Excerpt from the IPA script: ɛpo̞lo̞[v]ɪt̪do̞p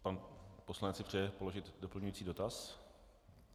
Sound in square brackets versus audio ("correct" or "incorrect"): incorrect